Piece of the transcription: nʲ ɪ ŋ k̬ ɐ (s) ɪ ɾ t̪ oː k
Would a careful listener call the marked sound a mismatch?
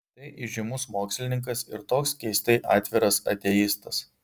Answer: no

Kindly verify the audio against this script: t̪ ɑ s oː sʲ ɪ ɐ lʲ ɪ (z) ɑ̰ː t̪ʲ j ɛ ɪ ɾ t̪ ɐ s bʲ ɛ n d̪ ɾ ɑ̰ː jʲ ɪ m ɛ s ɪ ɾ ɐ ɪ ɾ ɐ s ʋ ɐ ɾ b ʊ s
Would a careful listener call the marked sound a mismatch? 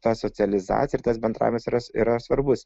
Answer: no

